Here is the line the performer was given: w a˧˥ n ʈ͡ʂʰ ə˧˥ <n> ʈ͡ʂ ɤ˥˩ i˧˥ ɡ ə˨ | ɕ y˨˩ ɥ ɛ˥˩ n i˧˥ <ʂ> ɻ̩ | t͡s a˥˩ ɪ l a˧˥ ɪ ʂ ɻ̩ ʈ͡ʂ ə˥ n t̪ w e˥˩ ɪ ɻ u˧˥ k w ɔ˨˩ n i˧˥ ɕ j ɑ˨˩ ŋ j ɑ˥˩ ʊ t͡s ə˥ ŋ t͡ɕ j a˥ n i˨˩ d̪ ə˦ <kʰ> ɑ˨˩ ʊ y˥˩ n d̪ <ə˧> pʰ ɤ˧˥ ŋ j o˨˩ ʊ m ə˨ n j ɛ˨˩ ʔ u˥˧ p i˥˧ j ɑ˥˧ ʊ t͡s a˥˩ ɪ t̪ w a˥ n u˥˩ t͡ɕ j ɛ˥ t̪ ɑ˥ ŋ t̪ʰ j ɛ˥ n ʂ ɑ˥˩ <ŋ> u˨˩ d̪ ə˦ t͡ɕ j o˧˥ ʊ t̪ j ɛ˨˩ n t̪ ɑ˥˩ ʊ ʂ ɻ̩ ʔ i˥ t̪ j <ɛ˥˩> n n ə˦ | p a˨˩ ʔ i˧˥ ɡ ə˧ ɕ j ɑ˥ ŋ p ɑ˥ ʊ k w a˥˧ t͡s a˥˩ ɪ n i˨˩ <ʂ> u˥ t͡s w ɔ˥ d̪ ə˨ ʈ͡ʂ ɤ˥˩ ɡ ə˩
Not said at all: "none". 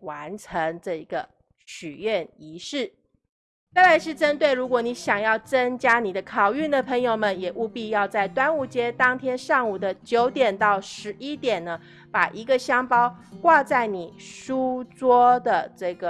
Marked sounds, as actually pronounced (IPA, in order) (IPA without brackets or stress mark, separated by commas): ŋ, ʂ, kʰ, ə˩, ŋ, ɛ˨˩, ʂ